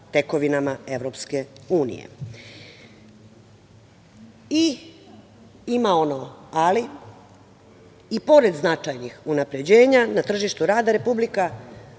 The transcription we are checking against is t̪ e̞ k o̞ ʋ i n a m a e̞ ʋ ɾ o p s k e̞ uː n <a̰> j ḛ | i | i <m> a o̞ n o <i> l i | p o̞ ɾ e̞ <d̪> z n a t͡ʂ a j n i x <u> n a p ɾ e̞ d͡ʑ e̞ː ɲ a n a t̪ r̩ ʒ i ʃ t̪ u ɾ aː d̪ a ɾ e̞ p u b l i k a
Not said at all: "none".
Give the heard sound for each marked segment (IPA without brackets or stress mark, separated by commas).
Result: ḭ, m, a, d̪, u